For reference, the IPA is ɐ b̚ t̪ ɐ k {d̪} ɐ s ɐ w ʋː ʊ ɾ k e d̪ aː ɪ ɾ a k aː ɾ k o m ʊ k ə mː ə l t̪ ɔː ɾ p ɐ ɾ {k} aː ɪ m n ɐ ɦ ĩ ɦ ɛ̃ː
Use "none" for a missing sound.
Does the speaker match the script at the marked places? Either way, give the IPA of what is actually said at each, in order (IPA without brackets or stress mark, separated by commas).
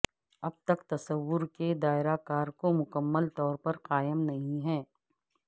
t̪, q